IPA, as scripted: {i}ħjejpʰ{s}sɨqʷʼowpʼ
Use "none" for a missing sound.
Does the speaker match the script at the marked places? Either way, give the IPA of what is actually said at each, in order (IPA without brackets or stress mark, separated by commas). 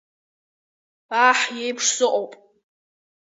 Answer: a, ʂ